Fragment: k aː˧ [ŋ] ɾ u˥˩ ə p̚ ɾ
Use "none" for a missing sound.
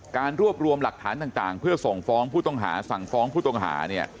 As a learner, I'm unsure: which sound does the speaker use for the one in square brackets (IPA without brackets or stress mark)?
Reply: n